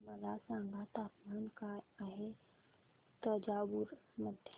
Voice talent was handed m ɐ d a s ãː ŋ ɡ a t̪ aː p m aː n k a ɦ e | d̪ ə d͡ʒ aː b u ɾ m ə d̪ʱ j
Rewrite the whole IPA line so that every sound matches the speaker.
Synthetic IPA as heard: m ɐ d a s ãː ŋ ɡ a t̪ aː p m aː n k a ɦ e | t̪ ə d͡ʒ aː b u ɾ m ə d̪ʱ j